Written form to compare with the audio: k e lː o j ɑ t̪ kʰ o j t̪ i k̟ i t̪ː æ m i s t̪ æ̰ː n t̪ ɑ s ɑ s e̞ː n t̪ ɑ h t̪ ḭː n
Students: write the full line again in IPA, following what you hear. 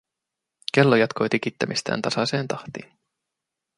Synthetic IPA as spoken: k e lː o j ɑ t̪ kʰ o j t̪ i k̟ i t̪ː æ m i s t̪ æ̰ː n t̪ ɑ s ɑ s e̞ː n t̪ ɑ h t̪ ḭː n